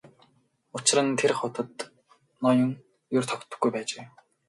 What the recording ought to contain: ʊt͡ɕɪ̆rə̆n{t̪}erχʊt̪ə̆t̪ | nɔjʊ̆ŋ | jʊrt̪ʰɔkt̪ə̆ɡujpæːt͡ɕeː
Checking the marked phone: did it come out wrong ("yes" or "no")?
yes